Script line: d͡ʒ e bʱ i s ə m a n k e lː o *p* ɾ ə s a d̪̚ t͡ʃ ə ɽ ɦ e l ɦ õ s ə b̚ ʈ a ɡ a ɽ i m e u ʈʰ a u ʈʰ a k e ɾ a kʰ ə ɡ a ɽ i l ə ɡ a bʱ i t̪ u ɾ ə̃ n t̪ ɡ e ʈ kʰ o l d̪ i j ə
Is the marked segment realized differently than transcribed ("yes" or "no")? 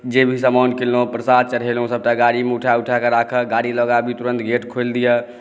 no